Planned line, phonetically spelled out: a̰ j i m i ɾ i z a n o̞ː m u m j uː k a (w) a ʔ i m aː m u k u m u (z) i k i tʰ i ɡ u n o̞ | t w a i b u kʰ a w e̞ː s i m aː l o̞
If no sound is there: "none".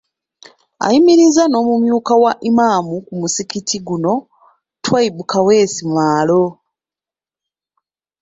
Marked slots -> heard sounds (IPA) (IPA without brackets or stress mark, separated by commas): w, s